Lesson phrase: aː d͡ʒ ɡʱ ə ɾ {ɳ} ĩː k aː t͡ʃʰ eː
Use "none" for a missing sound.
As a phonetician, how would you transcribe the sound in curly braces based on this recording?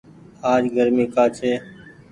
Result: m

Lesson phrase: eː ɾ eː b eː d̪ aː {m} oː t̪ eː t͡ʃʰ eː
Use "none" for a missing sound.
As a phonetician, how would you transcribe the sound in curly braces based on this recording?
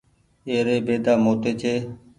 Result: m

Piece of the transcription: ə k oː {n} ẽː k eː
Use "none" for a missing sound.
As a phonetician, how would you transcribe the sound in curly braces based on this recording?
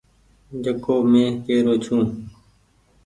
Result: m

